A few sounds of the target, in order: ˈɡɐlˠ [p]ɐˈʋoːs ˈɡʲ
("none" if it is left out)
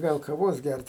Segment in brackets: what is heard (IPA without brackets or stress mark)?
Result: k